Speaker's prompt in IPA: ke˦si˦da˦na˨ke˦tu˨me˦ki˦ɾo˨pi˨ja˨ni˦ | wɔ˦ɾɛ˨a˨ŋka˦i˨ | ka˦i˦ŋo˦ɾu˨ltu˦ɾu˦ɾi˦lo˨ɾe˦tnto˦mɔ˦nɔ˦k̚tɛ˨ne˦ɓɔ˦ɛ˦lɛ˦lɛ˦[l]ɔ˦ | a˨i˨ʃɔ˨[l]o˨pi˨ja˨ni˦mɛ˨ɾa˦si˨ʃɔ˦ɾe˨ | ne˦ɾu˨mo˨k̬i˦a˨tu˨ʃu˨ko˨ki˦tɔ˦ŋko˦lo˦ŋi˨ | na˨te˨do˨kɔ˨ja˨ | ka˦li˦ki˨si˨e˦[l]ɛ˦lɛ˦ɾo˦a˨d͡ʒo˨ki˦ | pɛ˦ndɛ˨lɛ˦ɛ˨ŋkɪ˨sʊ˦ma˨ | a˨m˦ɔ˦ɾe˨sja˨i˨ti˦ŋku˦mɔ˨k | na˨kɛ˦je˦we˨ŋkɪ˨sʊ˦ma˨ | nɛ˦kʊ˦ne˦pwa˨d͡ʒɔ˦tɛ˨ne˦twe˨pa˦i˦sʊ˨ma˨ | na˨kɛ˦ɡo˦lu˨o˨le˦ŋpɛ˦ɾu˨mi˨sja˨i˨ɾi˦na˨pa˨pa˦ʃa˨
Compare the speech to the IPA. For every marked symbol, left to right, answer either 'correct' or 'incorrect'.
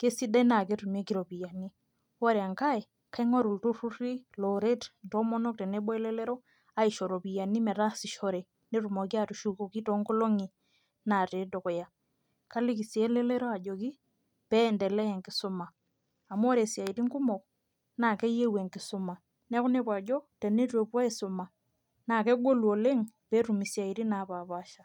incorrect, incorrect, correct

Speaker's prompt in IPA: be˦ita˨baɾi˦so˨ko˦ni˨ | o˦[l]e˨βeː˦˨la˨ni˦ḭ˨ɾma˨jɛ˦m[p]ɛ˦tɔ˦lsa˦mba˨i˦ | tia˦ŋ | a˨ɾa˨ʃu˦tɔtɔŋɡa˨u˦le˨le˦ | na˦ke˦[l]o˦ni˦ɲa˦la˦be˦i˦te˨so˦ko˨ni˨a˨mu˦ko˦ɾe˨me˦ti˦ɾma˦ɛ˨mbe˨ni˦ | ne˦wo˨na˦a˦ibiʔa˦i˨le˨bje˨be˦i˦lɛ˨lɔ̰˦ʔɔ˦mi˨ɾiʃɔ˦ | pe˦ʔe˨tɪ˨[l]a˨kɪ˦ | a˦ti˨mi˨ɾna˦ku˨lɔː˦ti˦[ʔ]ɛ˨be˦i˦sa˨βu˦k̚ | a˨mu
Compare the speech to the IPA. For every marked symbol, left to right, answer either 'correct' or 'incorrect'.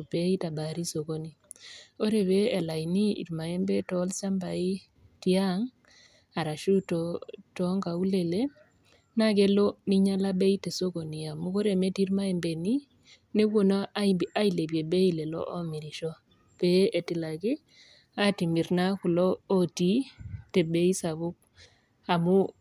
incorrect, incorrect, correct, correct, incorrect

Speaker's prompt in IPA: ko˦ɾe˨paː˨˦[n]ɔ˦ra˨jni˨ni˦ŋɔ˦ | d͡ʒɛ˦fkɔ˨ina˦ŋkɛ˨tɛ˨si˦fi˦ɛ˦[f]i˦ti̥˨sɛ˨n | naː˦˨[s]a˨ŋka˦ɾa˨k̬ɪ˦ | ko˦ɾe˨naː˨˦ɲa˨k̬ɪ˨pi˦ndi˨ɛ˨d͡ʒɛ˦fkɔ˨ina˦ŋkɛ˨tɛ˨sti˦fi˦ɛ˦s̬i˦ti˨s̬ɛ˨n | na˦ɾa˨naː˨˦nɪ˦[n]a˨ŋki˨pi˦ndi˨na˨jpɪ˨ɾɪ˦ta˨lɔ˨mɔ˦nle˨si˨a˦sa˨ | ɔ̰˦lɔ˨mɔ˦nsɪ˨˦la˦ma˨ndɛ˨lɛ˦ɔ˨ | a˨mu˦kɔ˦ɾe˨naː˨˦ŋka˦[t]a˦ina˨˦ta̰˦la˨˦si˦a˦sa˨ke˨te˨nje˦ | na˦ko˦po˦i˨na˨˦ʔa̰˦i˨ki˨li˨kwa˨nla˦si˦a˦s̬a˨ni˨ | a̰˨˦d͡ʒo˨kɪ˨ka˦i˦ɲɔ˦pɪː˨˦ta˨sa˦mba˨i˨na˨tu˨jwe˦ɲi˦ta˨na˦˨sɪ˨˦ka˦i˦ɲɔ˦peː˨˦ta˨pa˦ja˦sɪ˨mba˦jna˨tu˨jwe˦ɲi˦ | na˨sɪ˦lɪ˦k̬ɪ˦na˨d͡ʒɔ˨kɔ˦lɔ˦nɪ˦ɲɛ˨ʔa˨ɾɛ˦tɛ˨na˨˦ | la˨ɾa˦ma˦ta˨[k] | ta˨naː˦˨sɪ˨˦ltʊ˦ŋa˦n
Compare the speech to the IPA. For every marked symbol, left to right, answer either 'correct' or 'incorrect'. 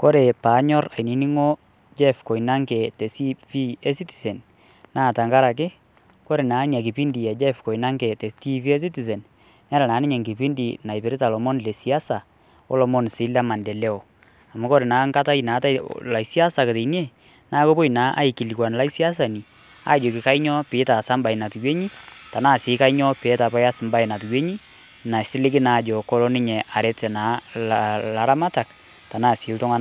incorrect, incorrect, incorrect, incorrect, correct, correct

